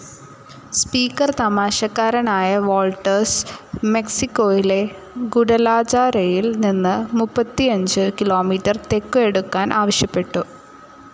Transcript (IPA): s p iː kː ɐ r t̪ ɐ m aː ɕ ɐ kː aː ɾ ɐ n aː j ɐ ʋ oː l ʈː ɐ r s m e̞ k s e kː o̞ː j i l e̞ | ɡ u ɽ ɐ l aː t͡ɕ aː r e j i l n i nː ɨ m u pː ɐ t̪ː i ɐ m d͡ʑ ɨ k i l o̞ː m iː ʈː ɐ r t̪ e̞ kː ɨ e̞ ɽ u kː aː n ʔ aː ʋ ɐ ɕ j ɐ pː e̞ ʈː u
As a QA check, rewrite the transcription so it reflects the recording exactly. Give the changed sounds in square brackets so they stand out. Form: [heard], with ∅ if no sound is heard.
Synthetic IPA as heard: s p iː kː ɐ r t̪ ɐ m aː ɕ ɐ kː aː ɾ ɐ n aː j ɐ ʋ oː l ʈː ɐ r s m e̞ k s [i] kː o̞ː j i l e̞ | ɡ u ɽ ɐ l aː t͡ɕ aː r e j i l n i nː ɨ m u pː ɐ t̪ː i ɐ [ɲ] d͡ʑ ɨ k i l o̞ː m iː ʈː ɐ r t̪ e̞ kː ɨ e̞ ɽ u kː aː n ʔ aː ʋ ɐ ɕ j ɐ pː e̞ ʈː u